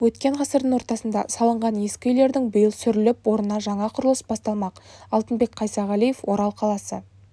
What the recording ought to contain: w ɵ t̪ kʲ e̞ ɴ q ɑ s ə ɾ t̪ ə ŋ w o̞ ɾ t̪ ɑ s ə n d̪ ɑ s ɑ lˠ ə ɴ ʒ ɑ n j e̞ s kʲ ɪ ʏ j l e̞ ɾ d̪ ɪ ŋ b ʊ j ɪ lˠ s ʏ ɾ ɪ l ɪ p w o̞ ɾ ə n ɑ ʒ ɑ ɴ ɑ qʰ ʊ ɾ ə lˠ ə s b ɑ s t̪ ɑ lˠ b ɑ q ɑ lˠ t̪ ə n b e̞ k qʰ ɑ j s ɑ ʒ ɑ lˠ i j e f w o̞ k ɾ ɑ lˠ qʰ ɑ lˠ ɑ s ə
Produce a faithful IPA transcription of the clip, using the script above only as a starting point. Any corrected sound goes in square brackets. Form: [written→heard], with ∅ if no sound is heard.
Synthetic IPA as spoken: w ɵ t̪ kʲ e̞ ɴ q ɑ s ə ɾ [t̪→d̪] ə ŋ w o̞ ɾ t̪ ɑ s ə n d̪ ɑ s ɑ lˠ ə ɴ [ʒ→ʁ] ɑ n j e̞ s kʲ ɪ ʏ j l e̞ ɾ d̪ ɪ ŋ b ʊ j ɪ lˠ s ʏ ɾ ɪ l ɪ p w o̞ ɾ ə n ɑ ʒ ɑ ɴ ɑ qʰ ʊ ɾ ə lˠ ə s b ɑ s t̪ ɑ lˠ [b→m] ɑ q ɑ lˠ t̪ ə n b e̞ k qʰ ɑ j s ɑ [ʒ→ʁ] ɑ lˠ i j e f w o̞ [k→∅] ɾ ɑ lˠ qʰ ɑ lˠ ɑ s ə